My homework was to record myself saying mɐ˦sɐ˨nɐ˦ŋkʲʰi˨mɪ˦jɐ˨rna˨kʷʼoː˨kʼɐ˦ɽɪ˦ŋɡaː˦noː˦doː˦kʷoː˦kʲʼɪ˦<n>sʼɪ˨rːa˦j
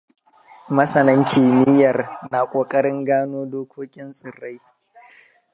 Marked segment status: correct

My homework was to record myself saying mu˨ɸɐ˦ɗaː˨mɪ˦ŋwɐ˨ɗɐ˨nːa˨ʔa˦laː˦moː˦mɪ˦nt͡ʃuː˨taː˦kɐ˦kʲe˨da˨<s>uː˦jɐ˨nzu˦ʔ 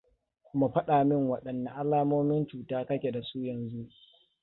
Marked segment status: correct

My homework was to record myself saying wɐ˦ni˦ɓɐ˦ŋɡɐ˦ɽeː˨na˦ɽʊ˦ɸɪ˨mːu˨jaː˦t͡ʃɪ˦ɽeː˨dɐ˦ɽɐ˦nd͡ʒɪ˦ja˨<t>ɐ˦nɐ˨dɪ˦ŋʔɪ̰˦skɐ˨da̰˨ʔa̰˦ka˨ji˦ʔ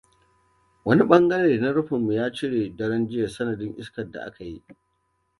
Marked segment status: incorrect: s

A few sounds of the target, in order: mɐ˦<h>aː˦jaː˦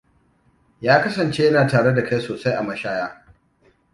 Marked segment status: incorrect: ʃ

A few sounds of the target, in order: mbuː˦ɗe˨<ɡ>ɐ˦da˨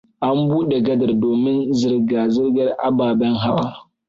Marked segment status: correct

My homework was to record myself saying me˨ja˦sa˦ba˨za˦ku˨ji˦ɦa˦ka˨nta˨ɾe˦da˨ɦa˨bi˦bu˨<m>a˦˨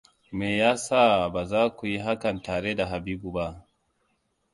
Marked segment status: incorrect: b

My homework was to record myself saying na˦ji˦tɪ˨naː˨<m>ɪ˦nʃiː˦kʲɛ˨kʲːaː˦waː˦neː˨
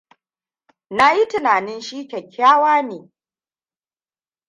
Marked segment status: incorrect: n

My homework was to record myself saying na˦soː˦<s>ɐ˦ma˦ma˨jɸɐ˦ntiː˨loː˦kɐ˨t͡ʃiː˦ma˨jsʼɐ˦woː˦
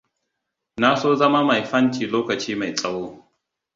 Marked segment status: incorrect: z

